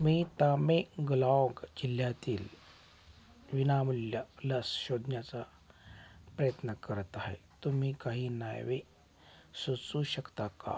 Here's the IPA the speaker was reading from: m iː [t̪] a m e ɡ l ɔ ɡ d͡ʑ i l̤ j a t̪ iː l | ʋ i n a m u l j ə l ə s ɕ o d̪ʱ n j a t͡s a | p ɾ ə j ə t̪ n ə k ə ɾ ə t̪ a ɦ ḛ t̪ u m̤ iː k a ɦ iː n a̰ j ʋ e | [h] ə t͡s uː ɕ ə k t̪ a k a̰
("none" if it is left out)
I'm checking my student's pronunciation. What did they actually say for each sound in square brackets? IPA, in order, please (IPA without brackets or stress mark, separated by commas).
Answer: t̪, s